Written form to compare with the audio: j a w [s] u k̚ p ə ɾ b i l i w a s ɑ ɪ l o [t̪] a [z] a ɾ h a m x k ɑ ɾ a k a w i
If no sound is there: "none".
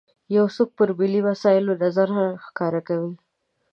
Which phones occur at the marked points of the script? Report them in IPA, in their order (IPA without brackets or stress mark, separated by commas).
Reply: s, d̪, z